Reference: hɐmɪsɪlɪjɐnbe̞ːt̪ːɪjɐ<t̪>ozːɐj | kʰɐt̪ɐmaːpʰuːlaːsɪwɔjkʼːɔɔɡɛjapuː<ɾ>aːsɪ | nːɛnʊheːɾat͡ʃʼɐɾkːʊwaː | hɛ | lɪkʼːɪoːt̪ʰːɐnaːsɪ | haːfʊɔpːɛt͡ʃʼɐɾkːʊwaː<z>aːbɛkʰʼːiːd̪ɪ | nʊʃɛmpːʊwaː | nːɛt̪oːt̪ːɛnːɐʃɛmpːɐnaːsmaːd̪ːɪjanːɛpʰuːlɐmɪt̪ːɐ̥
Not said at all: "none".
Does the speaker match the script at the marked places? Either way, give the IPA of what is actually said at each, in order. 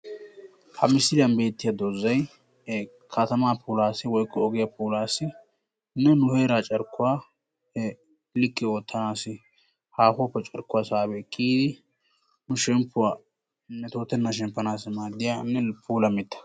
d̪, l, s

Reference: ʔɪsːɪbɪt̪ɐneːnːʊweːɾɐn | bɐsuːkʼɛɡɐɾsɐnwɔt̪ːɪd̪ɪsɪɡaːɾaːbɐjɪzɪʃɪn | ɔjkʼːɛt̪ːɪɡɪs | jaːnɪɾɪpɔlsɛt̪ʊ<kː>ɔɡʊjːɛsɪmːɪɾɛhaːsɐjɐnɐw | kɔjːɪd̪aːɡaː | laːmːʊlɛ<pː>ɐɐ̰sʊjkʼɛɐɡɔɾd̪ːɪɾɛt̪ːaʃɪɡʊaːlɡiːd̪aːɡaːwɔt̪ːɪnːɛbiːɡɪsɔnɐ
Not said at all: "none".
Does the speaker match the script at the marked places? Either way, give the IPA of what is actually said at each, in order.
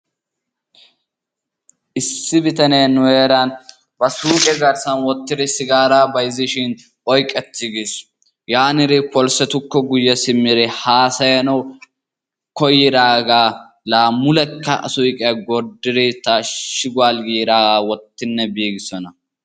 kː, kː

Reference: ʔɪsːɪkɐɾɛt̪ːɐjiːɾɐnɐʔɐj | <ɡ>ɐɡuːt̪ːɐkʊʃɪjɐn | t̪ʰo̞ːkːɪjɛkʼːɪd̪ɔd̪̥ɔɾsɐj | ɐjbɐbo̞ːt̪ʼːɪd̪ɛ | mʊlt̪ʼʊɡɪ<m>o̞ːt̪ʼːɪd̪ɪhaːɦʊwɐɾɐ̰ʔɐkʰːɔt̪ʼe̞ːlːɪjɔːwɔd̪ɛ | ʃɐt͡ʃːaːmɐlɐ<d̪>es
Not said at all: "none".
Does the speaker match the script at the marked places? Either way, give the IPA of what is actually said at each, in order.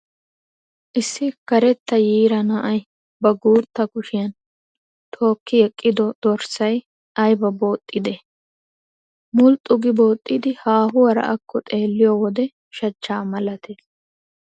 b, b, t̪

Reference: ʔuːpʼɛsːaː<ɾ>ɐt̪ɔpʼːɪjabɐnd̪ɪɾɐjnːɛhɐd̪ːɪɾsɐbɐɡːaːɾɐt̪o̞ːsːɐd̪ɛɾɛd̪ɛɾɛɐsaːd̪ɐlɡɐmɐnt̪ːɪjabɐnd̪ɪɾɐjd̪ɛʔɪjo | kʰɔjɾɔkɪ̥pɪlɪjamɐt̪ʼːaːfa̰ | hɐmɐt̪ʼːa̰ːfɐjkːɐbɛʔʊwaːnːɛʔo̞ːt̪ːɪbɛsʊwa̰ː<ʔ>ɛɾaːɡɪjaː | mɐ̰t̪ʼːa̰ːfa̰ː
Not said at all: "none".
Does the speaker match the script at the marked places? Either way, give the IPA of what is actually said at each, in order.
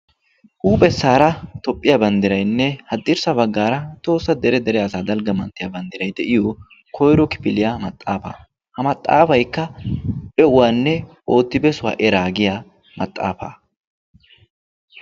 ɾ, ʔ

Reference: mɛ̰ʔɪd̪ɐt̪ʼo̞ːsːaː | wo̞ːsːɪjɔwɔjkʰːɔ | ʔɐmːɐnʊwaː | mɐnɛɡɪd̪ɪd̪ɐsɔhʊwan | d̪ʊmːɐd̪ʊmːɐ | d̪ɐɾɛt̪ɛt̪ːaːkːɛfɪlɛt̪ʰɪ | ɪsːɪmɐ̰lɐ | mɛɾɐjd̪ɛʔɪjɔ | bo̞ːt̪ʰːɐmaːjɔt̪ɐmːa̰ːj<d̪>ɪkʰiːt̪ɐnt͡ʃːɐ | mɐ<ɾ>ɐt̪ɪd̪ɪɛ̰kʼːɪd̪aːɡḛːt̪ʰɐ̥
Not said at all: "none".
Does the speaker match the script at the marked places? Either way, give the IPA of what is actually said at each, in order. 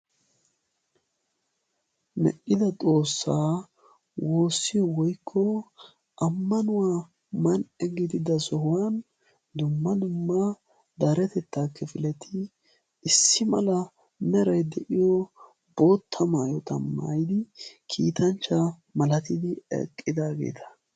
d̪, l

